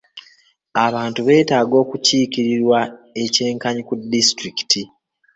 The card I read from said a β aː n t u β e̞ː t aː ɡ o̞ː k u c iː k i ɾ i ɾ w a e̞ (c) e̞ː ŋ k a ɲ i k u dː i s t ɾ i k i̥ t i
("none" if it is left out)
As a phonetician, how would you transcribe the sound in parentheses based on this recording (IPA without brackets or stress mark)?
c